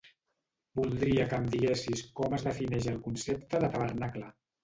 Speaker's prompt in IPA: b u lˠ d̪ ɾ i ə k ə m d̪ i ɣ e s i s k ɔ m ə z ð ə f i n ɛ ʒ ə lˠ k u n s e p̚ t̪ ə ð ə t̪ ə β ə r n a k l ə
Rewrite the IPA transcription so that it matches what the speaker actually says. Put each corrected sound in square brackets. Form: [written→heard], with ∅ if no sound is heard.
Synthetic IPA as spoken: b u lˠ d̪ ɾ i ə k ə m d̪ i ɣ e s i s k ɔ m ə z ð ə f i n ɛ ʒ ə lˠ k u n s e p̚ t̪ ə ð ə t̪ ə β ə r n a k l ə